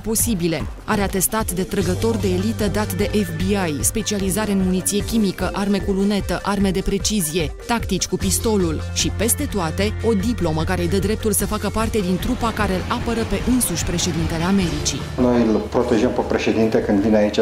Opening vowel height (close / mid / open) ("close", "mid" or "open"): mid